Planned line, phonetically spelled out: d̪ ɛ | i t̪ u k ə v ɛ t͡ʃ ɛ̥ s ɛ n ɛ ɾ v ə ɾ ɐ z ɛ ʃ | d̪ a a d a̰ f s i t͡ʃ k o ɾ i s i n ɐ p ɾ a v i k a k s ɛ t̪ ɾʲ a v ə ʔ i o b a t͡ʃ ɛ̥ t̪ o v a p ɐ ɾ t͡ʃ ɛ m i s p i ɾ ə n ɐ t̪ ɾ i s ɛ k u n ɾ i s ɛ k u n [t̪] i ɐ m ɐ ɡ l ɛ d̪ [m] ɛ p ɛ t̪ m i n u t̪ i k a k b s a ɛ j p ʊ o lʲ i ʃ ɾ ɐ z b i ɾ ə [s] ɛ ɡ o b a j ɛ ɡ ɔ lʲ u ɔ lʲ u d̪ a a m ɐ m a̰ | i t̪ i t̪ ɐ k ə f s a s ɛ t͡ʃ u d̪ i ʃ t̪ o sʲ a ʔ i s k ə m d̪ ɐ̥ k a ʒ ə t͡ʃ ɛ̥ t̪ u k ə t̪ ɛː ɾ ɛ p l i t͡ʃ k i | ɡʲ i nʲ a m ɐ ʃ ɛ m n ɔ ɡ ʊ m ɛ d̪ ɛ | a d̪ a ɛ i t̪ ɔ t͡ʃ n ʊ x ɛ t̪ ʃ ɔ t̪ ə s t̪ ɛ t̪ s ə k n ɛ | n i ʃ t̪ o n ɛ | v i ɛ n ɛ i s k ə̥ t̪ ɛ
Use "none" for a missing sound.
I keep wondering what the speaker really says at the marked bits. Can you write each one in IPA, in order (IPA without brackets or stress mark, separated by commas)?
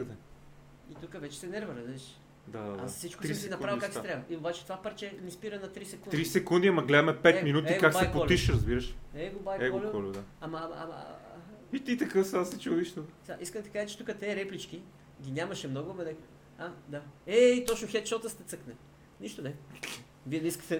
d̪, m, ʃ